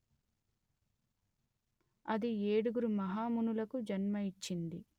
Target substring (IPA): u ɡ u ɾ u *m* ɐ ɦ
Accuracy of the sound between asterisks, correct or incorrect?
correct